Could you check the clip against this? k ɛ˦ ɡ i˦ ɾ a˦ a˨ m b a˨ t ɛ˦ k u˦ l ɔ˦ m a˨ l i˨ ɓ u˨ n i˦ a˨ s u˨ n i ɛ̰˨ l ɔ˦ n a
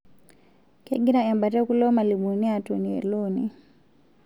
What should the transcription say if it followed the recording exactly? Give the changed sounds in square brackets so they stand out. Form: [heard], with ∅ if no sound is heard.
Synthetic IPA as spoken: k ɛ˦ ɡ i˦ ɾ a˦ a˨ m b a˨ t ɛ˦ k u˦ l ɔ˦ m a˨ l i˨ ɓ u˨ n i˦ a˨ [t] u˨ n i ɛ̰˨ l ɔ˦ n [i]